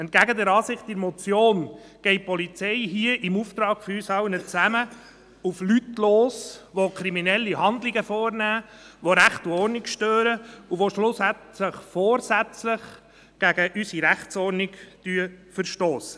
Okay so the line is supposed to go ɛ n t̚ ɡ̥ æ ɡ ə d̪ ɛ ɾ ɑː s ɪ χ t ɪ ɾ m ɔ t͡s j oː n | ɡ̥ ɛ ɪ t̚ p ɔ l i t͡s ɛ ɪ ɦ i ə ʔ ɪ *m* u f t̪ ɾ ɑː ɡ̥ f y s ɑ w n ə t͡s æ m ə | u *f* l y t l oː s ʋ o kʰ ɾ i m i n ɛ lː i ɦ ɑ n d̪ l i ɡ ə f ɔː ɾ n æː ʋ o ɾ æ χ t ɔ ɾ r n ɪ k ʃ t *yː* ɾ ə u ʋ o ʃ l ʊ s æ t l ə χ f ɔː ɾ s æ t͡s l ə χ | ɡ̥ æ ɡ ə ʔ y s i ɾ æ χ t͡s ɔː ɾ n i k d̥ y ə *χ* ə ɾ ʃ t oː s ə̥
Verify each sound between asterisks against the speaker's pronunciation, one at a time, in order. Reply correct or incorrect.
correct, correct, incorrect, incorrect

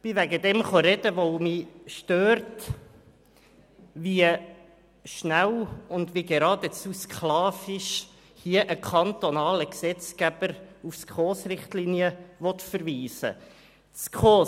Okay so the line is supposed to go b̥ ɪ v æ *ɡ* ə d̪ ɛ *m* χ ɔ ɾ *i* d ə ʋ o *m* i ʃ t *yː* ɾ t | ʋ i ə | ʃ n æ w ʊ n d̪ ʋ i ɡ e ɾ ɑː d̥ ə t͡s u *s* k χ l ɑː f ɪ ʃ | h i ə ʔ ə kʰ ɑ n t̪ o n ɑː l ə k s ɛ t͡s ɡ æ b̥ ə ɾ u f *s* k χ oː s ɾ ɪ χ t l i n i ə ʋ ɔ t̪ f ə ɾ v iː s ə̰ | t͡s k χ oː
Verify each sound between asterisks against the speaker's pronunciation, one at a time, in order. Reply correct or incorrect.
correct, correct, incorrect, correct, incorrect, correct, correct

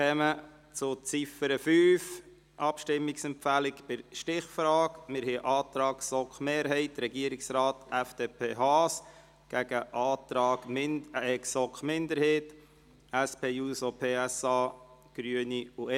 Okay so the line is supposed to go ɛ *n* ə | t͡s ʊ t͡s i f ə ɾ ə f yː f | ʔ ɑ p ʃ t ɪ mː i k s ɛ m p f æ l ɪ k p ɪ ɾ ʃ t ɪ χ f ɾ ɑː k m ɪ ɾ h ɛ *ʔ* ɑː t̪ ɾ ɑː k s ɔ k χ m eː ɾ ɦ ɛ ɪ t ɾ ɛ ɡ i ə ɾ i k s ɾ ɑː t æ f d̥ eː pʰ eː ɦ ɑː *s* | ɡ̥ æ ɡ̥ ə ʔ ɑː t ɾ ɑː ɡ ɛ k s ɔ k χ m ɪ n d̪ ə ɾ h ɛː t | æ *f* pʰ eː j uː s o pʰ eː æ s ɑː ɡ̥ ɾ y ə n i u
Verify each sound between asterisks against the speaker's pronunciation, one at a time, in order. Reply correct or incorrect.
incorrect, correct, correct, incorrect

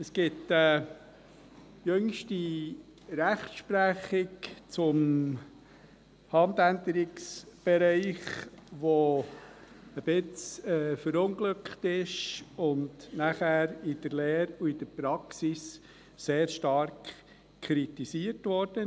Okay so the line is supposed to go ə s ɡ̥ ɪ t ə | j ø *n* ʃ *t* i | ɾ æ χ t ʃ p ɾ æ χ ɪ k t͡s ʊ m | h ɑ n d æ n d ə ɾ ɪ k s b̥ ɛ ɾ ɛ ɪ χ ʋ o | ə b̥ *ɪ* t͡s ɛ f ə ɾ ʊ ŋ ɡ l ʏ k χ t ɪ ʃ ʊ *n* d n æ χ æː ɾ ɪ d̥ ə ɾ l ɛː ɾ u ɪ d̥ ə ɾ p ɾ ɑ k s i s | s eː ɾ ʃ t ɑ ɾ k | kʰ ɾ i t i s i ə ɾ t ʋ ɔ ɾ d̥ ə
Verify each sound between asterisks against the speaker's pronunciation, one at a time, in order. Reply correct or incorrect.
incorrect, correct, correct, correct

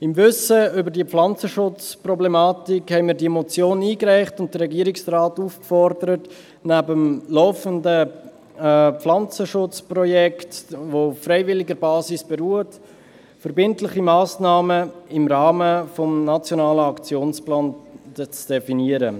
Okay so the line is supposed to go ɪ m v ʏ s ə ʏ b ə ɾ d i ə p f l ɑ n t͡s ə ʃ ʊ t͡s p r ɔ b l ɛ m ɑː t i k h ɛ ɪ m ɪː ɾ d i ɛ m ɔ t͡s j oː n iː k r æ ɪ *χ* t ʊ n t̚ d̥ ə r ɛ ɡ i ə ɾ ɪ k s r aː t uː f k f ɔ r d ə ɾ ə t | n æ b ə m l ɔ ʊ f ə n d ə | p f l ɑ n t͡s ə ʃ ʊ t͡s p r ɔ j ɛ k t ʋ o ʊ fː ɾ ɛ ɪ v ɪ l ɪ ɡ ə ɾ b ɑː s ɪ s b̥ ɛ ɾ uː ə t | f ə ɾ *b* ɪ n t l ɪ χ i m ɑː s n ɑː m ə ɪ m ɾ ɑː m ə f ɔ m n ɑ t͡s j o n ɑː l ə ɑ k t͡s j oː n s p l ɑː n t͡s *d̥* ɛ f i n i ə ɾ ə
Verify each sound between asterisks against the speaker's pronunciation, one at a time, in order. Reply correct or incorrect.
correct, correct, correct

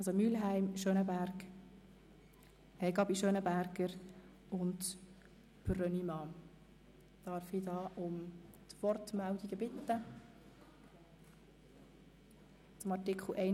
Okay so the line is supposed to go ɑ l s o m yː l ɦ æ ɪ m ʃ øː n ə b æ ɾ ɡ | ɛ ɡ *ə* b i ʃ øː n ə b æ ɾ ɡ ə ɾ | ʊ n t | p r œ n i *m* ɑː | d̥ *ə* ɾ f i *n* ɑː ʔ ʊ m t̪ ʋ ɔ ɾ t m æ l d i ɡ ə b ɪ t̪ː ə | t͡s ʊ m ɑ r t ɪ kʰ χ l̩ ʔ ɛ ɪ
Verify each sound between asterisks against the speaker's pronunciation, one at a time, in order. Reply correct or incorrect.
incorrect, correct, incorrect, incorrect

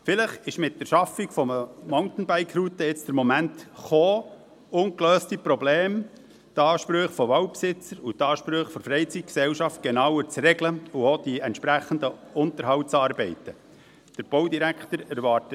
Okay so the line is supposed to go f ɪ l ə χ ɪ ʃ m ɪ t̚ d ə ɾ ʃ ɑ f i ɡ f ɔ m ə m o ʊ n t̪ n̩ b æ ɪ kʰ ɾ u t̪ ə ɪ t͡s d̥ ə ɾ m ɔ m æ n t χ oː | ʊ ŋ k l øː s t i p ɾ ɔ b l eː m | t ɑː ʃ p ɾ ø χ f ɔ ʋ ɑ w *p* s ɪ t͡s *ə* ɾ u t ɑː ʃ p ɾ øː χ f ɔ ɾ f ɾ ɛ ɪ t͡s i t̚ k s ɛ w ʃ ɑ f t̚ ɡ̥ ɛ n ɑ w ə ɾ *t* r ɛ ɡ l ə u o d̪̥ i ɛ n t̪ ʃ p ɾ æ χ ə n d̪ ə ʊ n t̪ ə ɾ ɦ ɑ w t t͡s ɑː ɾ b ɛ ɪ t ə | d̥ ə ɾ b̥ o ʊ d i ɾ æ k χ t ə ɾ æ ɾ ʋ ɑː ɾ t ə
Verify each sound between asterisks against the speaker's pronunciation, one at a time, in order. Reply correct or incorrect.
correct, correct, incorrect

